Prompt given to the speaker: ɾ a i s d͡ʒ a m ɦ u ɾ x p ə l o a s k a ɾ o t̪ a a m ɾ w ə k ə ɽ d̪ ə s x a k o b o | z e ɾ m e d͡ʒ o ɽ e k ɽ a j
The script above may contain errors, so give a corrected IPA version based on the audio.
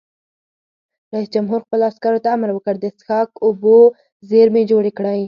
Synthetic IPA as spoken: ɾ a i s d͡ʒ a m ɦ u ɾ x p ə l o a s k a ɾ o t̪ a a m ɾ w ə k ə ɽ d̪ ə s x ɑ k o b o | z e ɾ m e d͡ʒ o ɽ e k ɽ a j